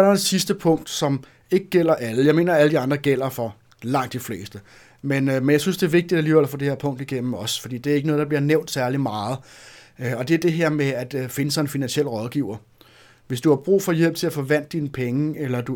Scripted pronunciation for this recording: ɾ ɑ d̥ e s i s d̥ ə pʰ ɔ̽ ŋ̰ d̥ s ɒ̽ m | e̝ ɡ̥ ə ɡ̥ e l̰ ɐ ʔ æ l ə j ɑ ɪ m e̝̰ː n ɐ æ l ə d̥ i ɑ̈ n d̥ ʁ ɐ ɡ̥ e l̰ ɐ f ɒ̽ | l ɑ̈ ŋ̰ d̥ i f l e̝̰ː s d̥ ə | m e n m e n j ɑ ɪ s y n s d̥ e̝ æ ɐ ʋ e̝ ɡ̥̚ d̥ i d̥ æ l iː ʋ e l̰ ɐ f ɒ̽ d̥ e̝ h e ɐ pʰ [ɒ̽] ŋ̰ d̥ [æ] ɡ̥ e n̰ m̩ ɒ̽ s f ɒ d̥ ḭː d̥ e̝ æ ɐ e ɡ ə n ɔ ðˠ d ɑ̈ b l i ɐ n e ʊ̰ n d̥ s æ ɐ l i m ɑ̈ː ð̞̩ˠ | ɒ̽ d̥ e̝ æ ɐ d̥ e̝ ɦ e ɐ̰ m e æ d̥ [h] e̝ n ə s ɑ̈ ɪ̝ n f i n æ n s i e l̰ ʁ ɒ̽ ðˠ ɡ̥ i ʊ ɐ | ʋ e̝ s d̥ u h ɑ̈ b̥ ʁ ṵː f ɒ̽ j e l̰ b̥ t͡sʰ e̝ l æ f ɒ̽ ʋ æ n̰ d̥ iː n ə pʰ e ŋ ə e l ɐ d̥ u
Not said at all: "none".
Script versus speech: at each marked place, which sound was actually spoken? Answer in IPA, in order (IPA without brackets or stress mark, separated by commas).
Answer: ɔ̽, i, f